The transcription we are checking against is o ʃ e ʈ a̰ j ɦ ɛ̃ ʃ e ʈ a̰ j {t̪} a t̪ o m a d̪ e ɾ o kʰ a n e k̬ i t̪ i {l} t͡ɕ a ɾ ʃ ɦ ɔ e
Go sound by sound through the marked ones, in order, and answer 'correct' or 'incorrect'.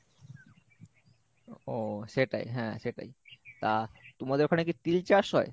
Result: correct, correct

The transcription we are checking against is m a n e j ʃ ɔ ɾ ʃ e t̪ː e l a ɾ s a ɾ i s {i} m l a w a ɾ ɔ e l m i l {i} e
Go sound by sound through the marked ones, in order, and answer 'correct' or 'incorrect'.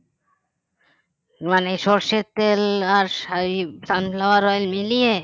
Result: incorrect, correct

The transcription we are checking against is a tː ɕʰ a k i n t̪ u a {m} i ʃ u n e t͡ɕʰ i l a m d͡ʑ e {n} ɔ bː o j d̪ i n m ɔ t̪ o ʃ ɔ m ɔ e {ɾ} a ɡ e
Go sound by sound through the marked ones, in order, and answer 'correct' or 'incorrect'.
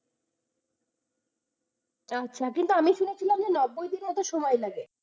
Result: correct, correct, incorrect

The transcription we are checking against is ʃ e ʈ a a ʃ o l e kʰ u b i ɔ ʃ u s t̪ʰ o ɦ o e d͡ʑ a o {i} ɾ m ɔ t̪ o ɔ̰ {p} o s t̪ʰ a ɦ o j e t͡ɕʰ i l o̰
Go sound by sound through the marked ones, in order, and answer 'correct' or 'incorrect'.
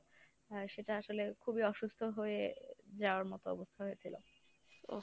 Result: incorrect, incorrect

